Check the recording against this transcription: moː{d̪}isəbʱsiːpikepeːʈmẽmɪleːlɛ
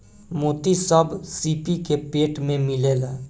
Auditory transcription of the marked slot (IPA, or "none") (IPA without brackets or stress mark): t̪